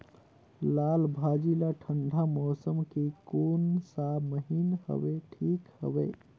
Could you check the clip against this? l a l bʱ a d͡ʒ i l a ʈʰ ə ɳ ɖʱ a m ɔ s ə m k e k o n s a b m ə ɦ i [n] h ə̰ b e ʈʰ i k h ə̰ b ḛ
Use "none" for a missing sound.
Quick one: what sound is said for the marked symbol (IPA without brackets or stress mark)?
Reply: n